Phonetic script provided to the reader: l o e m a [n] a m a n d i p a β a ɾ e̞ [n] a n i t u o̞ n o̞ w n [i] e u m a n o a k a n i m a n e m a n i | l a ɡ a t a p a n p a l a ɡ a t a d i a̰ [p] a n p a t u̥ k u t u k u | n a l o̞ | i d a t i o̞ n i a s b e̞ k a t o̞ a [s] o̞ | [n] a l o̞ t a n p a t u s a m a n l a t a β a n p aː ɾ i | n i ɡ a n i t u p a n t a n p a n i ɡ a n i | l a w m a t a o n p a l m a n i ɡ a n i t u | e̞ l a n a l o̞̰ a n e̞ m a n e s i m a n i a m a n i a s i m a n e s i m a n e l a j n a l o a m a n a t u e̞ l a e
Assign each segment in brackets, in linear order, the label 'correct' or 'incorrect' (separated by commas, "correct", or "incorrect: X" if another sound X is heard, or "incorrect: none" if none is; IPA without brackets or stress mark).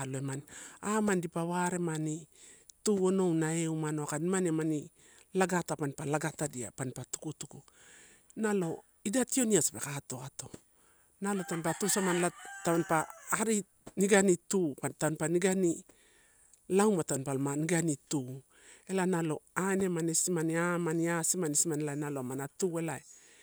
correct, incorrect: m, incorrect: a, correct, incorrect: t, correct